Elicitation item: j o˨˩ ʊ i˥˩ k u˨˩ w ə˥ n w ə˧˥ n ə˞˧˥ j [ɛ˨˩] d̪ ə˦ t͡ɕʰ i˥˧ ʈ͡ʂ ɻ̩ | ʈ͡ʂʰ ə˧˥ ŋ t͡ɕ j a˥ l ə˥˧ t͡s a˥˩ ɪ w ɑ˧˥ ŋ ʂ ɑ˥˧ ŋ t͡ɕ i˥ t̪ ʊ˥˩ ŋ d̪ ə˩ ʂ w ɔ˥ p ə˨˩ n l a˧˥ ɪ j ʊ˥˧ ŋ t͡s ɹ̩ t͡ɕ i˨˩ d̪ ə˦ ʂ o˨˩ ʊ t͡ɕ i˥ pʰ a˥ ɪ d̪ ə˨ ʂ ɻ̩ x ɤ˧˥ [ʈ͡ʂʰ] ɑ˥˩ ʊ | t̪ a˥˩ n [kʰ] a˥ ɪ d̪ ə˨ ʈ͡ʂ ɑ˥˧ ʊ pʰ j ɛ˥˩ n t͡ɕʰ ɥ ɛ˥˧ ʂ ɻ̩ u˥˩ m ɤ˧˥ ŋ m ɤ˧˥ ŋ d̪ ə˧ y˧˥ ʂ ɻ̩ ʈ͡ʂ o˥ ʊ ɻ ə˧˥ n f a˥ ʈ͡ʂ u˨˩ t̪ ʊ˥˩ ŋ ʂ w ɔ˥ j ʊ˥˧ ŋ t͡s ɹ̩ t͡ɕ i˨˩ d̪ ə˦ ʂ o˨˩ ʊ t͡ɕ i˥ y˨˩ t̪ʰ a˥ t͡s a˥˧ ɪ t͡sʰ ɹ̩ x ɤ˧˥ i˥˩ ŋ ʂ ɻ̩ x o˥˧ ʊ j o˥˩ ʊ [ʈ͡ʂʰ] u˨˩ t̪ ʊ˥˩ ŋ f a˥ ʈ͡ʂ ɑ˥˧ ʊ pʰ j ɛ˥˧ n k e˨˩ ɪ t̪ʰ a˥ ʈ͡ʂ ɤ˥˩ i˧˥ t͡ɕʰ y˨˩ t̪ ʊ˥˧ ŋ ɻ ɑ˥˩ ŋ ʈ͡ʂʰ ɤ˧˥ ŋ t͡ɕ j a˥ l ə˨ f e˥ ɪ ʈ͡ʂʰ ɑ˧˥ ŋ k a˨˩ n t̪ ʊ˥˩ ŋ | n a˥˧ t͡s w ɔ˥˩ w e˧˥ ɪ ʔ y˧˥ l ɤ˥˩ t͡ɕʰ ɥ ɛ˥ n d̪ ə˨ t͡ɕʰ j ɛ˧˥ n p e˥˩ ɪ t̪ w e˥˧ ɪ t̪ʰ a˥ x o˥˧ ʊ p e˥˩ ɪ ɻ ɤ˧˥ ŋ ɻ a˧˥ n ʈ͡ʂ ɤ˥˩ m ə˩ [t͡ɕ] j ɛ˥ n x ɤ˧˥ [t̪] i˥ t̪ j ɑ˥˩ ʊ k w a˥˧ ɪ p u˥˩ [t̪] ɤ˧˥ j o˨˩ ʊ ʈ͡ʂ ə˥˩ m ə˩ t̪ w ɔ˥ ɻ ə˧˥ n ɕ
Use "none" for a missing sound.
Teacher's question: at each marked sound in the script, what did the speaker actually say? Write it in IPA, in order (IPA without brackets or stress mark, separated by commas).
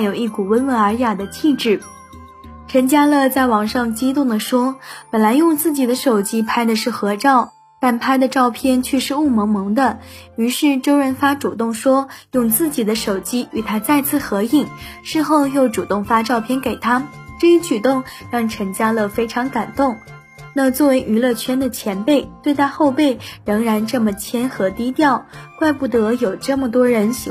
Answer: a˨˩, ʈ͡ʂ, pʰ, ʈ͡ʂ, t͡ɕʰ, t̪, t̪